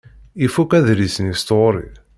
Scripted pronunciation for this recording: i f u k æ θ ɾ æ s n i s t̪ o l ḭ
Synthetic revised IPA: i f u k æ ð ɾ i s n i s t̪ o ɾ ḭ

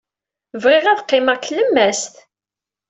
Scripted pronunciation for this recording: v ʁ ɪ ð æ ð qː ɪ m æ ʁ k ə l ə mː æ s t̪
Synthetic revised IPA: v ʁ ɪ ʁ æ ð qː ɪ m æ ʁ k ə l ə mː æ s t̪

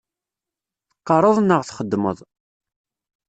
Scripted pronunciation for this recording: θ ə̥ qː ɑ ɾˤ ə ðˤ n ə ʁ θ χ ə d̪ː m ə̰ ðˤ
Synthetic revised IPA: θ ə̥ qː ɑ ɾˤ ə ðˤ n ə ʁ θ χ ə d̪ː m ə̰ ðˤ

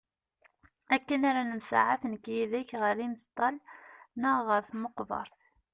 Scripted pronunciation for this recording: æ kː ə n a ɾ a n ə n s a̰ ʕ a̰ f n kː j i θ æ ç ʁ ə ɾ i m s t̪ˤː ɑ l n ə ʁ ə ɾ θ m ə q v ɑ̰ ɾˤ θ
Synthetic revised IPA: æ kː ə n a ɾ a n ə m s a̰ ʕ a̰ f n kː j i ð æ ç ʁ ə ɾ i m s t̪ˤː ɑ l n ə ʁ ə ɾ θ m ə q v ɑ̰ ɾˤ θ

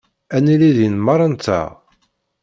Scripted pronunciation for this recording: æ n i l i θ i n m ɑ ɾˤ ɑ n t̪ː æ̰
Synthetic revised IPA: æ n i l i ð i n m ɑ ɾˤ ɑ n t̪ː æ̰

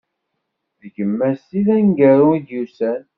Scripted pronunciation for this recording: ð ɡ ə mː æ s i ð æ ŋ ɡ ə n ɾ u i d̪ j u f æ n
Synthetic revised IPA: ð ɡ ə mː æ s i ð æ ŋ ɡ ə ɾ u i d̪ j u s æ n

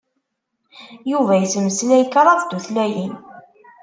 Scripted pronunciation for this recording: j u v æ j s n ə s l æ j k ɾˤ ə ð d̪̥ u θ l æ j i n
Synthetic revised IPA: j u v æ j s m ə s l æ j k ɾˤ ɑ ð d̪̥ u θ l æ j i n

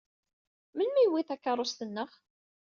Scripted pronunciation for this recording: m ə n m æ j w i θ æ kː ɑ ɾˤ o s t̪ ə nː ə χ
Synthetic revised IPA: m ə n m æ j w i θ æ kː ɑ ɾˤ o s t̪ ə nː ə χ

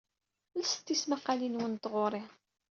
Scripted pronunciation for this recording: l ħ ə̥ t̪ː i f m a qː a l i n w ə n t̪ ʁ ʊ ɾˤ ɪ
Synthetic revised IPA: l s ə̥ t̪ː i s m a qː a l i n w ə n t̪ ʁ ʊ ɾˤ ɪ

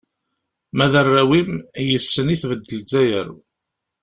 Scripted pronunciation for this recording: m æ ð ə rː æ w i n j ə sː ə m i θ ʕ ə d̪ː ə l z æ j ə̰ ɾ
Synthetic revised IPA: m æ ð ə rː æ w i m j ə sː ə n i θ v ə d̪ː ə l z æ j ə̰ ɾ

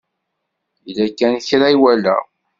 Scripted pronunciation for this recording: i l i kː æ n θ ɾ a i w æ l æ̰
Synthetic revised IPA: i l æ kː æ n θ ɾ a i w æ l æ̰

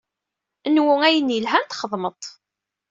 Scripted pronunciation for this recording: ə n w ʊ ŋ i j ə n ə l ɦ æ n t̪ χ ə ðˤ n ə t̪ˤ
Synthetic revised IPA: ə n w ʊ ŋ æ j ə n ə l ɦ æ n t̪ χ ə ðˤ m ə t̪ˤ

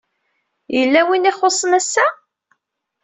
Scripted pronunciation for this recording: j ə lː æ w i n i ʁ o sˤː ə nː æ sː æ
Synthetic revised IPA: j ə lː æ w i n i χ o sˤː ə n æ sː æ

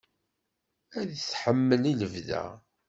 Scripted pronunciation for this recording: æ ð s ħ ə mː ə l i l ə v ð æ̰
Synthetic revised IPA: æ ð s ħ ə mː ə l i l ə v ð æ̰

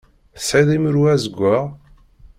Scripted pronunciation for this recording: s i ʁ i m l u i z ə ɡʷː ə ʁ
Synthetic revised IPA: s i ð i m ɾ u æ z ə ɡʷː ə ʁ

